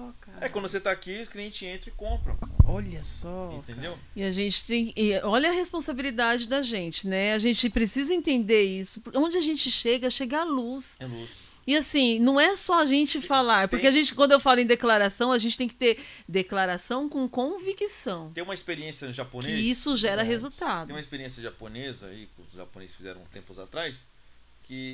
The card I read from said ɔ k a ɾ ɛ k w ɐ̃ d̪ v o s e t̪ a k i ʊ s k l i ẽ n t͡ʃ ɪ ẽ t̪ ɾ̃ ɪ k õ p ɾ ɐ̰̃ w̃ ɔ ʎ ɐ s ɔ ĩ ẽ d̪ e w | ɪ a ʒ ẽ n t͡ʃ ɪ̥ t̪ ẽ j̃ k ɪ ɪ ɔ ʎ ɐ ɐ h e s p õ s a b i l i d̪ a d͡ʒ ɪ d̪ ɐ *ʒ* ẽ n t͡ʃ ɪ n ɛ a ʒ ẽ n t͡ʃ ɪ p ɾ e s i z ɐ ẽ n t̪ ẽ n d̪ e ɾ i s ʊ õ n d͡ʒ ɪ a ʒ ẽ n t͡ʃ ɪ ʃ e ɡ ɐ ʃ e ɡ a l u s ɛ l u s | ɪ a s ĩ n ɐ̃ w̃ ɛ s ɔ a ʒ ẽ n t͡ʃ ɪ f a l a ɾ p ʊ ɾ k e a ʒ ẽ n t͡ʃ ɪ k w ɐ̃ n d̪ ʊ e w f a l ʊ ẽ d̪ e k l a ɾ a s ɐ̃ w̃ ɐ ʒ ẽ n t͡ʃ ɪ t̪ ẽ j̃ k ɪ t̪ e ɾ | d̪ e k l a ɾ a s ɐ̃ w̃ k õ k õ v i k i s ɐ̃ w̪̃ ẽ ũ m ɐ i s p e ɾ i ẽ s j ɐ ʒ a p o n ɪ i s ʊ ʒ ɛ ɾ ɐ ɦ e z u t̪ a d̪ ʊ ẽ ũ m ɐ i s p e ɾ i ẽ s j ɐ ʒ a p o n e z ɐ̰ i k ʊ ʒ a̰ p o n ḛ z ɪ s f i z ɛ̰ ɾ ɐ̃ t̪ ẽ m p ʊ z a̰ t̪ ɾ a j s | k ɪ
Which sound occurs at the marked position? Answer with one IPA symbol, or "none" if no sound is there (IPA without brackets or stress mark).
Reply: ʒ